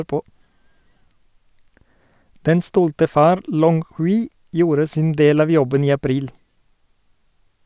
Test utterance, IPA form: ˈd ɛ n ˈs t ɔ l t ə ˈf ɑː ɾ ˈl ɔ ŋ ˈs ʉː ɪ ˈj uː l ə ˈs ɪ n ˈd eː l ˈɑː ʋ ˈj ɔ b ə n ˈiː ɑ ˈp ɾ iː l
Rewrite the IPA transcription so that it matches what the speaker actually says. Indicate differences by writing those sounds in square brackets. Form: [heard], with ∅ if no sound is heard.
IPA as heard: ˈd ɛ n ˈs t ɔ l t ə ˈf ɑː ɾ ˈl ɔ ŋ [ˈh] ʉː ɪ ˈj uː [ɾ] ə ˈs ɪ n ˈd eː l ˈɑː ʋ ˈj ɔ b ə n ˈiː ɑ ˈp ɾ iː l